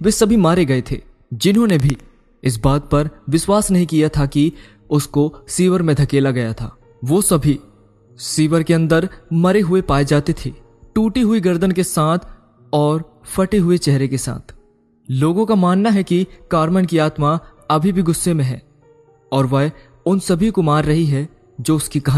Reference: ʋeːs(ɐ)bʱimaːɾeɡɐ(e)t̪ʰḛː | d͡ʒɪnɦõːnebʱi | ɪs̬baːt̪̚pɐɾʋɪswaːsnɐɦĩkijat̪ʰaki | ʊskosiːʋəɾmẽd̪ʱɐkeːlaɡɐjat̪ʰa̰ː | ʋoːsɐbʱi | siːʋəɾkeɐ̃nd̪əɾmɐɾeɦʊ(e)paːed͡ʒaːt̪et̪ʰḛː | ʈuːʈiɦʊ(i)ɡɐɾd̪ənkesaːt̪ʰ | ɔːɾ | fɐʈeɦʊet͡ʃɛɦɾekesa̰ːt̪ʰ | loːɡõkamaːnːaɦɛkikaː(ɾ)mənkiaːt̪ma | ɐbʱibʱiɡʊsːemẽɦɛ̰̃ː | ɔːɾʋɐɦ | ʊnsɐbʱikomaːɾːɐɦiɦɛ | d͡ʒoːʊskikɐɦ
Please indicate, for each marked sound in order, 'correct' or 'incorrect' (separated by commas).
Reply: correct, correct, correct, correct, correct